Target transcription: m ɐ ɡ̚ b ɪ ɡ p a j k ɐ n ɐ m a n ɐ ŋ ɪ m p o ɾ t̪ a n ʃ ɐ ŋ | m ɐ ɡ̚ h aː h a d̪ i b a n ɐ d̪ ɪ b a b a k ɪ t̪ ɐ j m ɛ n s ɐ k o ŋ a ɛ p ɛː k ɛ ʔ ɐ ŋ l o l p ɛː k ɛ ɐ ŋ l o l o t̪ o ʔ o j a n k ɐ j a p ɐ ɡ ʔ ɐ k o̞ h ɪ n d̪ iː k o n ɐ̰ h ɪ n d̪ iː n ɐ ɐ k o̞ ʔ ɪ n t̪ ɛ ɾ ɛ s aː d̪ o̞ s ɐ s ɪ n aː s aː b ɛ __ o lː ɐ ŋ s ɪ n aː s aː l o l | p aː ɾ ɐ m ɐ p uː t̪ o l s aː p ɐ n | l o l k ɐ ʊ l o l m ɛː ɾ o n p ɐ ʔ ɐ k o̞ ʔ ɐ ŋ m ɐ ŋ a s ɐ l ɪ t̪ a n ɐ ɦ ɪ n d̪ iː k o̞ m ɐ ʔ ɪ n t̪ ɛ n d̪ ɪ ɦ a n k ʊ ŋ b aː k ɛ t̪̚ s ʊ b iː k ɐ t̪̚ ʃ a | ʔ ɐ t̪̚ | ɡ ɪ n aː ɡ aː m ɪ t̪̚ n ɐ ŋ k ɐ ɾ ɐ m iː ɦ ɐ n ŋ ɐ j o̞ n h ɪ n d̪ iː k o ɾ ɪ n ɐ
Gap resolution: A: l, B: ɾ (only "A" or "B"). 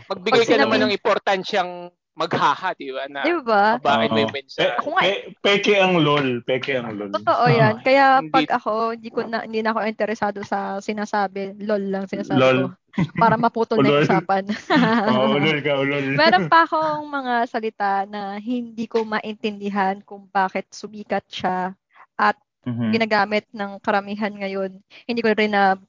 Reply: A